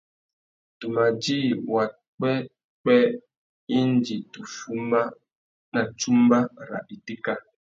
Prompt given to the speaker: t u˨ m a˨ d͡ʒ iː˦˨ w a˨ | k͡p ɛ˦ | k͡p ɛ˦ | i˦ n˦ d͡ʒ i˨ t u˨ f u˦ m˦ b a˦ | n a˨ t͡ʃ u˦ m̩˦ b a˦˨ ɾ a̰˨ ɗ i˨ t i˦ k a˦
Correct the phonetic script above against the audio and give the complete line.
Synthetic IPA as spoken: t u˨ m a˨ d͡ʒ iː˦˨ w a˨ | k͡p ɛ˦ | k͡p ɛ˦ | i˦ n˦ d͡ʒ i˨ t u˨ f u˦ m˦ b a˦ | n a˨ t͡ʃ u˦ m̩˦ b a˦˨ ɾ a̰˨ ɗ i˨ t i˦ k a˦